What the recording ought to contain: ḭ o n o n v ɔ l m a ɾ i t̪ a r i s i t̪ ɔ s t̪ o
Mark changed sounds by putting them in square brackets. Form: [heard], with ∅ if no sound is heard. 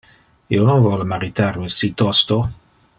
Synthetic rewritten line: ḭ o n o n v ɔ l m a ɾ i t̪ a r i s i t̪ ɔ s t̪ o

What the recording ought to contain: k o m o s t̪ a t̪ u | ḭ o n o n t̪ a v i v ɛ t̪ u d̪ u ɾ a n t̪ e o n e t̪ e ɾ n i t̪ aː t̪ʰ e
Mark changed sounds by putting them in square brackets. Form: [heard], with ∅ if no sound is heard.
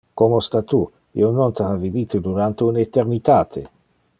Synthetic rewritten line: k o m o s t̪ a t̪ u | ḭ o n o n t̪ a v i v [i] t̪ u d̪ u ɾ a n t̪ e [u] n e t̪ e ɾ n i t̪ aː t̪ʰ e

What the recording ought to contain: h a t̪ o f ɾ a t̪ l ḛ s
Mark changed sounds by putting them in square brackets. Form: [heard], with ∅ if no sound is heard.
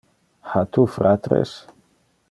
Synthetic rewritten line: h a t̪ [u] f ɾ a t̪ [ɾ] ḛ s

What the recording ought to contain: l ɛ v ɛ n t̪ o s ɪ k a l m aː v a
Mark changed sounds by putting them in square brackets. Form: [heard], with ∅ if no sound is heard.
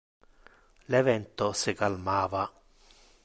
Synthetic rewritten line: l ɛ v ɛ n t̪ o s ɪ k a l m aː v a

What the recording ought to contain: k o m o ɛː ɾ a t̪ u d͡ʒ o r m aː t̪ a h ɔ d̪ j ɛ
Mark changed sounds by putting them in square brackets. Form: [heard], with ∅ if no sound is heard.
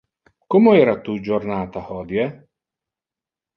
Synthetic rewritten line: k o m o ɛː ɾ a t̪ u d͡ʒ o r [n] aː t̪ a h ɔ d̪ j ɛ

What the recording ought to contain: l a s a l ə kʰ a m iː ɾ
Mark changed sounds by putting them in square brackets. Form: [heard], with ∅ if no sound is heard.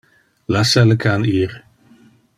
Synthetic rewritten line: l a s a l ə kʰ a [n] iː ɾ

